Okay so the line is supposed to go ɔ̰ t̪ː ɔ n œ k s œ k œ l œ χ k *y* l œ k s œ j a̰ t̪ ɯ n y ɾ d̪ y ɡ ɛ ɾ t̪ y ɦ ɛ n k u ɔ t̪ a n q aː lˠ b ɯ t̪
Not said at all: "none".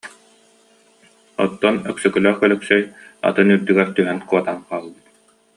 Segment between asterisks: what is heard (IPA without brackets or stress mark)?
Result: œ